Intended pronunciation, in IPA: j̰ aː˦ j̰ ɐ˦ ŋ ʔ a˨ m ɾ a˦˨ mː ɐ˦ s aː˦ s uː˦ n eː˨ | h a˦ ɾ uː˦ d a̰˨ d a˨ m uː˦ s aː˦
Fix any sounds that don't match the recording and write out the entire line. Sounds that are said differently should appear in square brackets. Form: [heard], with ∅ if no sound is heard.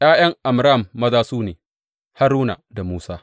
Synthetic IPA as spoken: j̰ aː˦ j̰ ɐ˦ ŋ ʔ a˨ m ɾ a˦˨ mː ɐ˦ [z] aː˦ s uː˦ n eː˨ | h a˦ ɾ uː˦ [n] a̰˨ d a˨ m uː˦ s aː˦